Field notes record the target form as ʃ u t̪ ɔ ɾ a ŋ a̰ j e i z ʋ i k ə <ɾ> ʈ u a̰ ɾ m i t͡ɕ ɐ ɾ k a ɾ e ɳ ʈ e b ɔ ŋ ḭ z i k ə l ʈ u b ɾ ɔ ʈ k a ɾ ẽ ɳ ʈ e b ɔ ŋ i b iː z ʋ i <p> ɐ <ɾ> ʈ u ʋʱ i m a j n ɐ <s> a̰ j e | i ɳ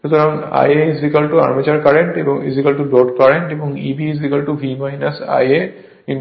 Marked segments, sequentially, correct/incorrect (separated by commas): incorrect, incorrect, incorrect, correct